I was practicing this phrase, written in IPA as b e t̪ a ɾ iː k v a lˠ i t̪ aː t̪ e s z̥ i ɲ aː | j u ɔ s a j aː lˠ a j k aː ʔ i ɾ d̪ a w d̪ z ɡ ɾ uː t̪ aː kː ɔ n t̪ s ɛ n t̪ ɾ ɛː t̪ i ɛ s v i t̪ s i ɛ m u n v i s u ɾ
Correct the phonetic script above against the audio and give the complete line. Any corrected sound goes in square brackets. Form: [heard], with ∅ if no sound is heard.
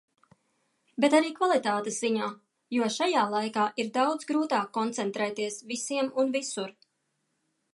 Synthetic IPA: b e t̪ a ɾ iː k v a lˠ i t̪ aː t̪ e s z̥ i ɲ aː | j u ɔ [ʃ] a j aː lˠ a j k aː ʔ i ɾ d̪ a w d̪ z ɡ ɾ uː t̪ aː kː ɔ n t̪ s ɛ n t̪ ɾ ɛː t̪ i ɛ s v i [∅] s i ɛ m u n v i s u ɾ